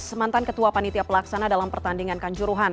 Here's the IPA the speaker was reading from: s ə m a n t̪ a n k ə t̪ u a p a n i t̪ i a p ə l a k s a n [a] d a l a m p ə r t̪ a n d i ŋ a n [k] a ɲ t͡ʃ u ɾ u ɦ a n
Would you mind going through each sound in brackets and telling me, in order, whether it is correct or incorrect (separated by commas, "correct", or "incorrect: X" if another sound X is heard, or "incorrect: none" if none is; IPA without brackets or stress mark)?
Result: correct, correct